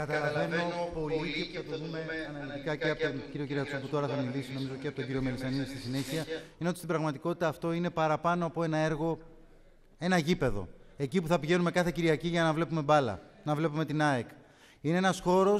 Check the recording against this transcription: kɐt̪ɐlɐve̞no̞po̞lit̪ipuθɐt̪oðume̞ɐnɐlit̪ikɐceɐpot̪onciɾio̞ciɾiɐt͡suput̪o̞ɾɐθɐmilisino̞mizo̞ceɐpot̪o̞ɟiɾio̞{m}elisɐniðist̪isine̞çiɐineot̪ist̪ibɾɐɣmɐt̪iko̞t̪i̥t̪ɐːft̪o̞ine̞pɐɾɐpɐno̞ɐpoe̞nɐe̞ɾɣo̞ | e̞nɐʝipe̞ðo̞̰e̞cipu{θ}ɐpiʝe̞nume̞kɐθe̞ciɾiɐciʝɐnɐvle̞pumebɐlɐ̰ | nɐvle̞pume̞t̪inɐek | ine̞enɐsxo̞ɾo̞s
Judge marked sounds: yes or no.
yes, yes

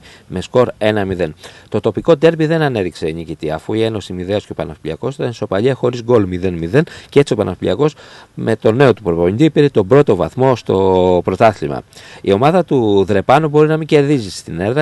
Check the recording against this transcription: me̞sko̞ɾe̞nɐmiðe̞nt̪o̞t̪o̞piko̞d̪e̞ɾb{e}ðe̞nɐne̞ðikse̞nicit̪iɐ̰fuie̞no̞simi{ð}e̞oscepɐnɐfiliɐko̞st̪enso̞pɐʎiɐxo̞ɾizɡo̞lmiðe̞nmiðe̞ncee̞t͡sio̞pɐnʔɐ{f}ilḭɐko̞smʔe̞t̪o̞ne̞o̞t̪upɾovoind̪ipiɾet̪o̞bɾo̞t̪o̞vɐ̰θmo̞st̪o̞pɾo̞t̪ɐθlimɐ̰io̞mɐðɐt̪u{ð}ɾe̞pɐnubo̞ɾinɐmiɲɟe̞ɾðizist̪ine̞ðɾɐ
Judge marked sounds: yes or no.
no, yes, yes, yes

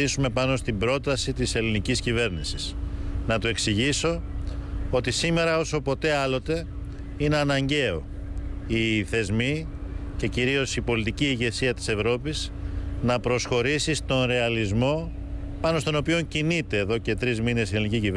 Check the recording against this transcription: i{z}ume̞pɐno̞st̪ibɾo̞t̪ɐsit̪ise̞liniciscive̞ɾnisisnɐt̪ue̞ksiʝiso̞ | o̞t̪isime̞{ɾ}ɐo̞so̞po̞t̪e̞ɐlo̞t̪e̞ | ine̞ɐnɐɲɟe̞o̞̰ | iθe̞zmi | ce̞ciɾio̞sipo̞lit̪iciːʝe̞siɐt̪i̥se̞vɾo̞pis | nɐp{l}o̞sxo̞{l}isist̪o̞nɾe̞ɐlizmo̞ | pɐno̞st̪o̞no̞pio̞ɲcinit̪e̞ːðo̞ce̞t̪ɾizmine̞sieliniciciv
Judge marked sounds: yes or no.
no, yes, no, no

